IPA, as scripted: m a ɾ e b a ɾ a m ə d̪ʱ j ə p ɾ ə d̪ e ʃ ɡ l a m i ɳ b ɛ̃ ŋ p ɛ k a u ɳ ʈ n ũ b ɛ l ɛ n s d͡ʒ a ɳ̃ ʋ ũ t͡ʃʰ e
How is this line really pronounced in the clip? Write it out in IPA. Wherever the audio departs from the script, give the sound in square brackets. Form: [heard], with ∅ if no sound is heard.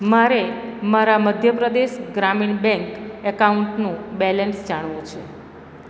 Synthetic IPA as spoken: m a ɾ e [m] a ɾ a m ə d̪ʱ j ə p ɾ ə d̪ e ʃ ɡ [ɾ] a m i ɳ b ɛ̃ ŋ [k] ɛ k a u ɳ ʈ n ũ b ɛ l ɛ n s d͡ʒ a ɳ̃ ʋ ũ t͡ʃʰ e